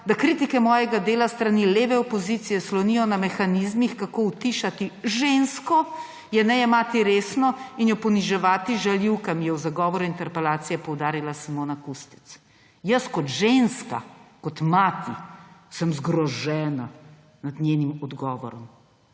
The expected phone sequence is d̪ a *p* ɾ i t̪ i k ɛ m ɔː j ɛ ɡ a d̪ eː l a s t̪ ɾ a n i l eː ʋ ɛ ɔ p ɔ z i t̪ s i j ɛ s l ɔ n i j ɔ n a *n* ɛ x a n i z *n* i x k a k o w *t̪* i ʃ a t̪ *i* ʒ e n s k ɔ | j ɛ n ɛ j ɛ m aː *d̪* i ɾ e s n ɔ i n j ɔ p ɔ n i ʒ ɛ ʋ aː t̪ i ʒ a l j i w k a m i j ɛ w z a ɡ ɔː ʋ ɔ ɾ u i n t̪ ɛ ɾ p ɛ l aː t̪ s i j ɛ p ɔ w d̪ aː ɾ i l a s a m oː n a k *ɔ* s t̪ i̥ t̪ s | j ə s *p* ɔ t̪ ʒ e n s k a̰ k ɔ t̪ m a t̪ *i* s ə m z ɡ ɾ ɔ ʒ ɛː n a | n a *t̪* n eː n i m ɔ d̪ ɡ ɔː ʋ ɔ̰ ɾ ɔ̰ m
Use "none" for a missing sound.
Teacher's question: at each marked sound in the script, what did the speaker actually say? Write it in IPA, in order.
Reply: k, m, m, t̪, i, t̪, u, k, i, d̪

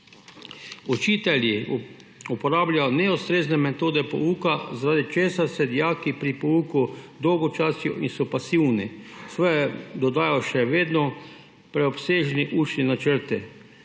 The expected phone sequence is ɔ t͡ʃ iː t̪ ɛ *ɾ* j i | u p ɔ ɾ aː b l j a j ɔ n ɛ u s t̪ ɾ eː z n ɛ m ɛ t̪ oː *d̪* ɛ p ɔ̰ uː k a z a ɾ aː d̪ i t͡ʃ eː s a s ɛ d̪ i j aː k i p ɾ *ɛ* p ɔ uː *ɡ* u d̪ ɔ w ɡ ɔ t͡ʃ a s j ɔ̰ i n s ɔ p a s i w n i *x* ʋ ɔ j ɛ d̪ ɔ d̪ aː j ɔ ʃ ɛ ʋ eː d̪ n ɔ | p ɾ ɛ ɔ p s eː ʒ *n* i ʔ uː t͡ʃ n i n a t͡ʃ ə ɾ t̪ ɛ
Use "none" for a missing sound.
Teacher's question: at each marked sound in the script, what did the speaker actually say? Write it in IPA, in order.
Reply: l, d̪, i, k, s, n

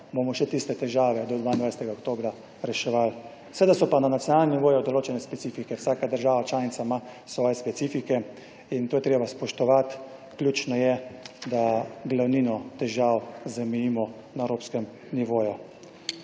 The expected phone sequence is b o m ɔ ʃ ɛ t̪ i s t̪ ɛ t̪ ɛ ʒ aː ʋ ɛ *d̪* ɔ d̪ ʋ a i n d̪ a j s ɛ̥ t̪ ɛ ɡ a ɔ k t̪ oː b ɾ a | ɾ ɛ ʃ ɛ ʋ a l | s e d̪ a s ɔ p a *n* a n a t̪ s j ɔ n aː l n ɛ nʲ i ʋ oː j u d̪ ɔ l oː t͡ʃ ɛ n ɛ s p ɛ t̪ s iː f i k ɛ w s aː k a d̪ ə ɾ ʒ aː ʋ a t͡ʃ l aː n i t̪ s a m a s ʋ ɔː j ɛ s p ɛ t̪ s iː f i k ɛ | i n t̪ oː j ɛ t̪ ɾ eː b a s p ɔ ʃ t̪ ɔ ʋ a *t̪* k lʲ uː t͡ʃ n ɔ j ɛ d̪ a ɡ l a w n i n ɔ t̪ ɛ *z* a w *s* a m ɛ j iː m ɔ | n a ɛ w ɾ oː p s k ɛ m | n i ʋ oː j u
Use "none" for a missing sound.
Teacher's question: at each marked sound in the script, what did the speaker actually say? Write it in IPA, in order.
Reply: d̪, n, t̪, ʒ, z

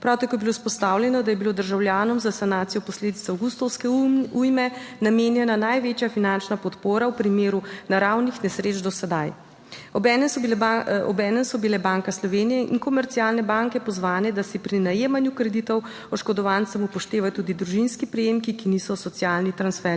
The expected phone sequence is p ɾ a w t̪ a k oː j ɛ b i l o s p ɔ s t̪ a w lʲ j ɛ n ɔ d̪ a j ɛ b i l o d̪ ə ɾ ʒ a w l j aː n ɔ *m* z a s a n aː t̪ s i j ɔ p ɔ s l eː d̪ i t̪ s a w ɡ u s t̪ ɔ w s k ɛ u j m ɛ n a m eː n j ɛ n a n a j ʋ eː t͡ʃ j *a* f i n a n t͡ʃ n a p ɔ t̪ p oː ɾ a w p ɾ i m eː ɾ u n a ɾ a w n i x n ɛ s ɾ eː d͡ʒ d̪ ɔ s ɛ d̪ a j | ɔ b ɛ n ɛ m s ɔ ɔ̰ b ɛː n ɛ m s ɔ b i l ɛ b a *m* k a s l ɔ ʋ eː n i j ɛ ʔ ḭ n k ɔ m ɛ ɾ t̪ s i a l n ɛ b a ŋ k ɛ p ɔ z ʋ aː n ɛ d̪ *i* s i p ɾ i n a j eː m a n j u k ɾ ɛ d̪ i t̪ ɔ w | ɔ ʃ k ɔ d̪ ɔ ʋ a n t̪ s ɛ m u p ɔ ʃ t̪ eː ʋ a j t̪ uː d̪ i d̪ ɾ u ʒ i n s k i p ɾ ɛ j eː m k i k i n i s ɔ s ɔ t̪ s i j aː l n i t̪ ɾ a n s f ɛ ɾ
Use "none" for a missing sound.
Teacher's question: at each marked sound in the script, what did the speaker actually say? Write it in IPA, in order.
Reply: m, a, ŋ, a

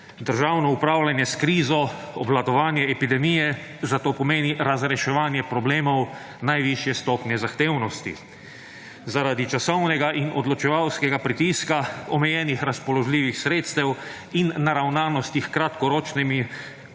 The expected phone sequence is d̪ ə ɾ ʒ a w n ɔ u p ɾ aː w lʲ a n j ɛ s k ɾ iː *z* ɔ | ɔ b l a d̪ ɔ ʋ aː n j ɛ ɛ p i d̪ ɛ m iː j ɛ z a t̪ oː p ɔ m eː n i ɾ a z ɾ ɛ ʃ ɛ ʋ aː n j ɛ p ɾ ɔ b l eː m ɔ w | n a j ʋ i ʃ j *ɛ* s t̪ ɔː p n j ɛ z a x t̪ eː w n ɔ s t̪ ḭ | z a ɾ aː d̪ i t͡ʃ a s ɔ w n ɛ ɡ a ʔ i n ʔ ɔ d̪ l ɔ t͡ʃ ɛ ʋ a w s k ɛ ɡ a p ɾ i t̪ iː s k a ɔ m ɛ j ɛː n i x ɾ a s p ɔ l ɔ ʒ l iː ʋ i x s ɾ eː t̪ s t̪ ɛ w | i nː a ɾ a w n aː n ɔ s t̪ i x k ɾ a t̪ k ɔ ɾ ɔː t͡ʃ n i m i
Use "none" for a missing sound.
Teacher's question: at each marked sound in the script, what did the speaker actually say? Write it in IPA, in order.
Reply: z, ɛ

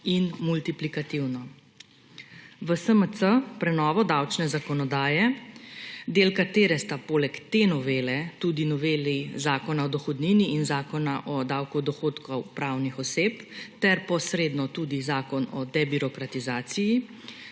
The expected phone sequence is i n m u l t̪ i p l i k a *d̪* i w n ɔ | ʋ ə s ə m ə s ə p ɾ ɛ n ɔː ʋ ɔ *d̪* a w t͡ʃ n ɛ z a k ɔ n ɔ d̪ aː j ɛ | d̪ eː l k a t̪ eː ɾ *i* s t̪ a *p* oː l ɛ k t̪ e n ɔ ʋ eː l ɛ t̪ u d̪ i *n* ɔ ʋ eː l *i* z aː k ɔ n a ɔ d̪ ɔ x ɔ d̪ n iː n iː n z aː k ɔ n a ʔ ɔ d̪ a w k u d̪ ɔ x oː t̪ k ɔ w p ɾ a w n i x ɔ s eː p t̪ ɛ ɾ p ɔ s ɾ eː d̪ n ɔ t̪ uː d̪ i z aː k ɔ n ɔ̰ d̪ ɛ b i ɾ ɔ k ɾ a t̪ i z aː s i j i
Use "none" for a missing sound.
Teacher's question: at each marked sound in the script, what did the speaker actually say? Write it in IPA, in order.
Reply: t̪, d̪, ɛ, p, n, i

